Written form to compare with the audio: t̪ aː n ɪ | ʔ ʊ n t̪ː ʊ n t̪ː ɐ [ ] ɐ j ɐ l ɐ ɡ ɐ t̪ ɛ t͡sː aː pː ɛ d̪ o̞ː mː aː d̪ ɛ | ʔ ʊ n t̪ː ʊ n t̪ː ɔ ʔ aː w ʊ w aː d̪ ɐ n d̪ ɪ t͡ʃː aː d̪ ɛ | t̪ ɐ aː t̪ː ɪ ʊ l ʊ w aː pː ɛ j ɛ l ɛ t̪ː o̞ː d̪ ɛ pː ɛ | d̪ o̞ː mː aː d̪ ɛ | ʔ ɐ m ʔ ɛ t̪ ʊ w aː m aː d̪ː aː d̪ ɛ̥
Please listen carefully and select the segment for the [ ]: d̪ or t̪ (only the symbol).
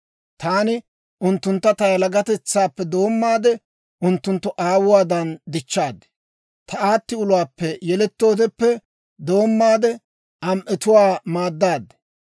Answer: t̪